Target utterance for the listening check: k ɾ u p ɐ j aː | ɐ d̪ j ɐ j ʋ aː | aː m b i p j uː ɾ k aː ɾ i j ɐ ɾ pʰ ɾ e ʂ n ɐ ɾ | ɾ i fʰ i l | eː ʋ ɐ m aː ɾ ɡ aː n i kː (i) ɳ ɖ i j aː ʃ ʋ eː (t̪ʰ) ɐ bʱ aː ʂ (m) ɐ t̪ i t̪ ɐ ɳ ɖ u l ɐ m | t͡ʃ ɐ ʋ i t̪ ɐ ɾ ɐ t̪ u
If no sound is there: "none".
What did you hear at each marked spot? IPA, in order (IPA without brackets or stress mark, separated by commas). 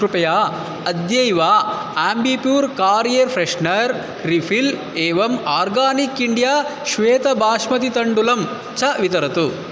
i, t̪, m